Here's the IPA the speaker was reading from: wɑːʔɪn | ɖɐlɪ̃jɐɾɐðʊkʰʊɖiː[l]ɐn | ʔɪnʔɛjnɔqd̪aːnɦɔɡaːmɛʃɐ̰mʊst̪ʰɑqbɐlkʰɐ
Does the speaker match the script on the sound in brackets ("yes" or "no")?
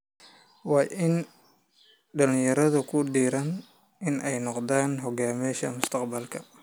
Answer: no